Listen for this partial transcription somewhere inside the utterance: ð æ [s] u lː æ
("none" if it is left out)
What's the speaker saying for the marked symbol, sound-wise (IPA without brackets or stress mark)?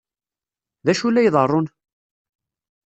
ʃ